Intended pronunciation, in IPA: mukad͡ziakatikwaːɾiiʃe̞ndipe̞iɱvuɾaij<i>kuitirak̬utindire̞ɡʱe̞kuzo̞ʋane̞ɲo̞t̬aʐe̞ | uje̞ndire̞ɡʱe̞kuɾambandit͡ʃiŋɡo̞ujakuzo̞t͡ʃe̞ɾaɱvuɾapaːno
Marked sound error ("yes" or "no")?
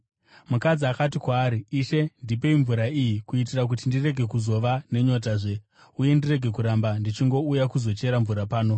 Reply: no